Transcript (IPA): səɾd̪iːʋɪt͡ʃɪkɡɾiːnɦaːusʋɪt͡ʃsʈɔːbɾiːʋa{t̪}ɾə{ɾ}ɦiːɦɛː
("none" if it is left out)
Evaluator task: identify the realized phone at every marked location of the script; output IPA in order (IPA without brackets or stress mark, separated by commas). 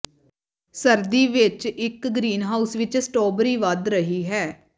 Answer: d̪, none